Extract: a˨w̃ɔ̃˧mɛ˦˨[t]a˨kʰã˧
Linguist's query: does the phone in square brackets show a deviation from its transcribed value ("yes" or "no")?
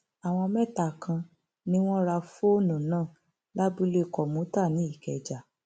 no